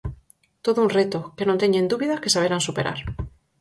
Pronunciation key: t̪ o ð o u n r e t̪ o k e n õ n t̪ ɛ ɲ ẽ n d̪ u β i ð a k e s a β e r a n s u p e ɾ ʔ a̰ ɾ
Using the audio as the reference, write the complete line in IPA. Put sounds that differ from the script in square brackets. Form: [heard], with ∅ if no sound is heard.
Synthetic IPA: t̪ o ð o u n r e t̪ o k e n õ n t̪ [e] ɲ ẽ n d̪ u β i ð a k e s a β e [ɾ] a n s u p e ɾ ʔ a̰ ɾ